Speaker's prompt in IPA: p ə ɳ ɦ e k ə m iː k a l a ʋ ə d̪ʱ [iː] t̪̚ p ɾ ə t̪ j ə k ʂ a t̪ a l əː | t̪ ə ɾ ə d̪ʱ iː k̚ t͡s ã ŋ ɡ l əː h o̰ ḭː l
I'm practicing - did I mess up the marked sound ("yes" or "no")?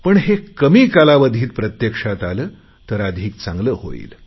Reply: no